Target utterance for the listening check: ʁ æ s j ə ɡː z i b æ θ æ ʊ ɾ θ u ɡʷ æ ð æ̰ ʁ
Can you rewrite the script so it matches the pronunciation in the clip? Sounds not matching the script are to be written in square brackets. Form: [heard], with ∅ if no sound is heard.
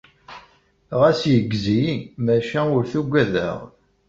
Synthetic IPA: ʁ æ s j ə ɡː z i [m] æ [ʃ] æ ʊ ɾ θ u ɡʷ æ ð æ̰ ʁ